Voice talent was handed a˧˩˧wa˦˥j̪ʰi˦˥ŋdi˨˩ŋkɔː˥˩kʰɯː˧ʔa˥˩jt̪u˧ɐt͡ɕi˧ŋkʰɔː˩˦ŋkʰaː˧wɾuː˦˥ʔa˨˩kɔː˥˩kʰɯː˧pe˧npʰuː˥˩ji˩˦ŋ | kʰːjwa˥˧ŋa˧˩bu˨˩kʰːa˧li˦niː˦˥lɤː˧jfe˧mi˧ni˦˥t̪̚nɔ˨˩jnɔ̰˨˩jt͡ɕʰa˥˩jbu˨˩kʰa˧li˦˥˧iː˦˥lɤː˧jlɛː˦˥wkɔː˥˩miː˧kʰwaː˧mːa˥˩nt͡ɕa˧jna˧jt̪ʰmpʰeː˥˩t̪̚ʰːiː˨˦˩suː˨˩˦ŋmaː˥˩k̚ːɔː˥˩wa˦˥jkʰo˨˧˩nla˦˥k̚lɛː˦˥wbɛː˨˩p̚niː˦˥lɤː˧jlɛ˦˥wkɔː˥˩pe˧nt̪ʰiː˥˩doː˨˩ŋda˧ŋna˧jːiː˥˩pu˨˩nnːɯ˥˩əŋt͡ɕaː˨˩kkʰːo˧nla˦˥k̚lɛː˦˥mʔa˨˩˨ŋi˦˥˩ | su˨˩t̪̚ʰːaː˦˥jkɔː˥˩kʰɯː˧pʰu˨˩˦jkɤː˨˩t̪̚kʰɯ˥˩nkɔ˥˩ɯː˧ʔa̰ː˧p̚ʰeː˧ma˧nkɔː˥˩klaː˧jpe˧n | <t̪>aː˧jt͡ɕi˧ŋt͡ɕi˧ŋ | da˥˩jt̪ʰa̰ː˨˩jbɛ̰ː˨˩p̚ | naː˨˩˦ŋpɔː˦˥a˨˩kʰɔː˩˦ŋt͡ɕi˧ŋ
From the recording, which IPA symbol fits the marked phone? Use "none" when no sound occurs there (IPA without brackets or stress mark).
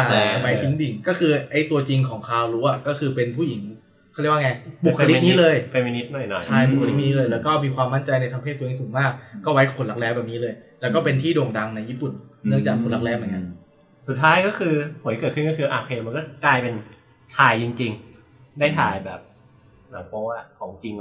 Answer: t̪ʰ